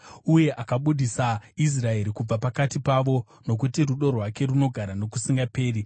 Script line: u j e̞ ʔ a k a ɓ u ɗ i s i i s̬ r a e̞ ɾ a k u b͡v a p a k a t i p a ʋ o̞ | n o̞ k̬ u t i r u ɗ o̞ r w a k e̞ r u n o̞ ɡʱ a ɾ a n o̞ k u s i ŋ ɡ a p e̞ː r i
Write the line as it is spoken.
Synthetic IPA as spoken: u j e̞ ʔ a k a ɓ u ɗ i s a i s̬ r a e̞ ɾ i k u b͡v a p a k a t i p a ʋ o̞ | n o̞ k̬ u t i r u ɗ o̞ r w a k e̞ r u n o̞ ɡʱ a ɾ a n o̞ k u s i ŋ ɡ a p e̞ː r i